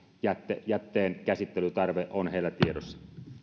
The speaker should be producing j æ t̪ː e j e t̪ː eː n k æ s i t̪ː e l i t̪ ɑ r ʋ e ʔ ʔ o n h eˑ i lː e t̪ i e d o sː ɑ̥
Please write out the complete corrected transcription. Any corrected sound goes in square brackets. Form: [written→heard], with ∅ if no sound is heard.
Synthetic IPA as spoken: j æ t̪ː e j [e→æ] t̪ː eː n k æ s i t̪ː e l [i→y] t̪ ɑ r ʋ e ʔ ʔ o n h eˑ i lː [e→æ] t̪ i e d o sː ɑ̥